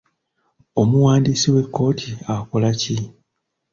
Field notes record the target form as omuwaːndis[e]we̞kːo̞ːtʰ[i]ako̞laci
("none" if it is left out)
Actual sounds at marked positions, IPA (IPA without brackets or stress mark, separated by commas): i, i